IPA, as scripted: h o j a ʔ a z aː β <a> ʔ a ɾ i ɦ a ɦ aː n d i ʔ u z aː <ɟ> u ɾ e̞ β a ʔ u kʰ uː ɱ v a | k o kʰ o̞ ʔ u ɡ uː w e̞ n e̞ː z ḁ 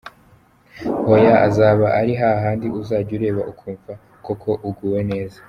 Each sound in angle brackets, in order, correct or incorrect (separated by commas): correct, correct